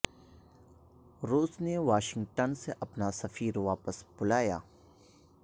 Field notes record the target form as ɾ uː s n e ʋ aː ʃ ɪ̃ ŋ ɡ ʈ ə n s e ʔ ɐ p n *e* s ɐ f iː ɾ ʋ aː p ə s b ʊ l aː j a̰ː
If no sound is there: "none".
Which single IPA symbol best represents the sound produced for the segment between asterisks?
a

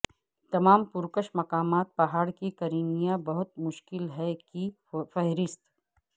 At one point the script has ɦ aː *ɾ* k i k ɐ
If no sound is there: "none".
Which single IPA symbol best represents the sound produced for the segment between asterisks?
ɽ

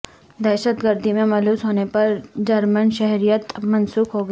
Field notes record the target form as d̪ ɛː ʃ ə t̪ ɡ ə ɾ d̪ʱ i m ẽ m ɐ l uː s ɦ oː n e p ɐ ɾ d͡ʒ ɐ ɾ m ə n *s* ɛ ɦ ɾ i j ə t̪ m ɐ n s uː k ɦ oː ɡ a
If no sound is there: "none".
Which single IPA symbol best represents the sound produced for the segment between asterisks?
ʃ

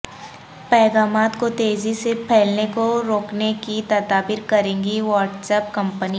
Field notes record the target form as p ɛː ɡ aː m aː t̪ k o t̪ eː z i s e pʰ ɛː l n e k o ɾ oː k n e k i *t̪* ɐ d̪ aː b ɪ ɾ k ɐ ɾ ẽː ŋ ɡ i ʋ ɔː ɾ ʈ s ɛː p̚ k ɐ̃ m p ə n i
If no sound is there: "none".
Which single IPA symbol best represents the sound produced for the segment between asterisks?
t̪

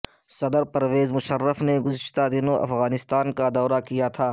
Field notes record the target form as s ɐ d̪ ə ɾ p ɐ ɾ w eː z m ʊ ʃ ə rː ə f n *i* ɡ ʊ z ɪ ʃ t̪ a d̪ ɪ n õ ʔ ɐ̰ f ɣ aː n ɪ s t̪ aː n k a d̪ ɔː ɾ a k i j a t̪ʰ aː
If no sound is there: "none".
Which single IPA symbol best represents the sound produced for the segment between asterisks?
e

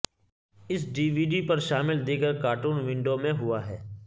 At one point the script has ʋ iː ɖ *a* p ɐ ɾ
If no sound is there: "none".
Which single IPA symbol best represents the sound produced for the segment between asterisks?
i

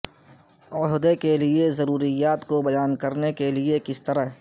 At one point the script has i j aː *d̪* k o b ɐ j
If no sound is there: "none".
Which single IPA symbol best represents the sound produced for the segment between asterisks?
t̪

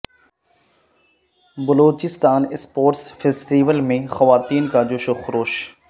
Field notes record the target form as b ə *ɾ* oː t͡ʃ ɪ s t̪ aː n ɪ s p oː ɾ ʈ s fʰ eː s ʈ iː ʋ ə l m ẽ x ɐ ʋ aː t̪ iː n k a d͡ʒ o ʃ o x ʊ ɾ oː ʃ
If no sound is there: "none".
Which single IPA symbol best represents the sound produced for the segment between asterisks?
l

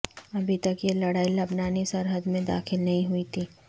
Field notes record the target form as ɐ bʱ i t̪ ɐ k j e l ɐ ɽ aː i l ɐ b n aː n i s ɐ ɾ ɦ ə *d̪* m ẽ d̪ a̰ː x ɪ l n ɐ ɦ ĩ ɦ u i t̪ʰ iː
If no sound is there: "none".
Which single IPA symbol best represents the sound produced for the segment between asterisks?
d̪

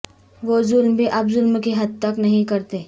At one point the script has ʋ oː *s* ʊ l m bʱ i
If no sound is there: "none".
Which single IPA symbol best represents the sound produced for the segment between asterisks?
z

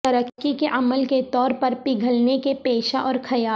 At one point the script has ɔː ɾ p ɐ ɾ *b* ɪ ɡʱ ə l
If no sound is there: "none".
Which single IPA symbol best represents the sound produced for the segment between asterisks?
p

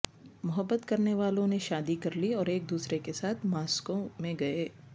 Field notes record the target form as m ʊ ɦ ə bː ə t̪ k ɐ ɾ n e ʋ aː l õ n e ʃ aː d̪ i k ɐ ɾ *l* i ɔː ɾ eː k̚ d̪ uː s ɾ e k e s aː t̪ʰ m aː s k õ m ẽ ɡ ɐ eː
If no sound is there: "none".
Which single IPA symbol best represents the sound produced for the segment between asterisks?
l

